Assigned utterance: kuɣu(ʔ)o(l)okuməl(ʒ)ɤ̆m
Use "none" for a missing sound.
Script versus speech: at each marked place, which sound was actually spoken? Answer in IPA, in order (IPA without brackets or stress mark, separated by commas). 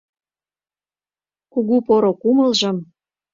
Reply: p, ɾ, ʒ